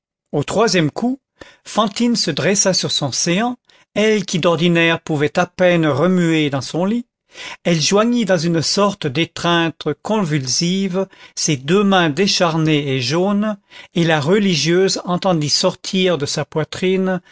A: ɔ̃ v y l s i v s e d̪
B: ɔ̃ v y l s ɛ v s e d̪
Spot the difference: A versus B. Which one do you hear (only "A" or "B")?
A